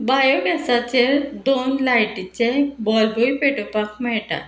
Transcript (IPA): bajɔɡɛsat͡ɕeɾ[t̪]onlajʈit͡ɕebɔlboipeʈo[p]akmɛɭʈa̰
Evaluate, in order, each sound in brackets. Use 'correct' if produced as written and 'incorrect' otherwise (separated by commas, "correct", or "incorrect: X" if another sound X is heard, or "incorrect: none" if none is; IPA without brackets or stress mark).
incorrect: d̪, correct